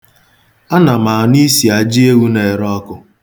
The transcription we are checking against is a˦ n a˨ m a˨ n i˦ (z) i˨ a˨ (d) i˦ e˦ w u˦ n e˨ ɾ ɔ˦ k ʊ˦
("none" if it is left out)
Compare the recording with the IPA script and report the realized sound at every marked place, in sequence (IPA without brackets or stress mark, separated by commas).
s, d͡ʒ